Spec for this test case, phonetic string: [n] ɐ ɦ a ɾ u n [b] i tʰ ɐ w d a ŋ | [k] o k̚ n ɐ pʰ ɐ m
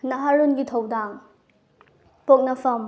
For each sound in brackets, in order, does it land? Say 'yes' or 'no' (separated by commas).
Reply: yes, no, no